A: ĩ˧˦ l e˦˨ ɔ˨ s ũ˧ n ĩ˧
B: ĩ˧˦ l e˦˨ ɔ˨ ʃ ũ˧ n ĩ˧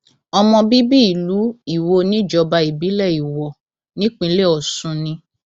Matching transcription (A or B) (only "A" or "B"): A